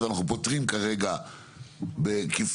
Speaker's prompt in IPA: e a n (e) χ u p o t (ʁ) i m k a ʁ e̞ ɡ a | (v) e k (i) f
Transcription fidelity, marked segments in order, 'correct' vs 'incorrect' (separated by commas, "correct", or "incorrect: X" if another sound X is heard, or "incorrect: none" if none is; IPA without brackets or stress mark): incorrect: a, correct, incorrect: b, correct